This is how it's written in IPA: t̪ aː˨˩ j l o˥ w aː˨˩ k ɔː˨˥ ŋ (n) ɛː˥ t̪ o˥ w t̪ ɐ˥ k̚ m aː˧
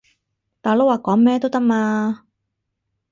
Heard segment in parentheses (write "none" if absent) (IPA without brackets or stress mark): m